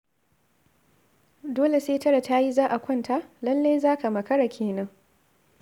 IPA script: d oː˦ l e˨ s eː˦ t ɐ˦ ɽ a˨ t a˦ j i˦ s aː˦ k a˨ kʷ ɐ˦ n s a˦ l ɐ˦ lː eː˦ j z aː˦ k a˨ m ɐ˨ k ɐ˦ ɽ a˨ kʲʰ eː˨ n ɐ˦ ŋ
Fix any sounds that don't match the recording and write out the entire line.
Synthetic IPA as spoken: d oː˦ l e˨ s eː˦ t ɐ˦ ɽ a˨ t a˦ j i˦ z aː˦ ʔ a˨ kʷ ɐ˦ n t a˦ l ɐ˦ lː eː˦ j z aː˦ k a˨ m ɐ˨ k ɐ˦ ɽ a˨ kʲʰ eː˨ n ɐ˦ ŋ